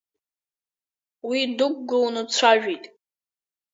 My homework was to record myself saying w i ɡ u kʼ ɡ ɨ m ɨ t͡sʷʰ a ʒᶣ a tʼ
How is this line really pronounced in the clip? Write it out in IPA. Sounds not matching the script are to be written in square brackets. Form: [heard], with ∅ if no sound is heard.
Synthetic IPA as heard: w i [d] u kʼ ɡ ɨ [n] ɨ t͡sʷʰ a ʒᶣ [i] tʼ